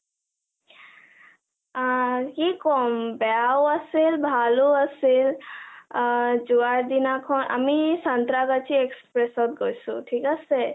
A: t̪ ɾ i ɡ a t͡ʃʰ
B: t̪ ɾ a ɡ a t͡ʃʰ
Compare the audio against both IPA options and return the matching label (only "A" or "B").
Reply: B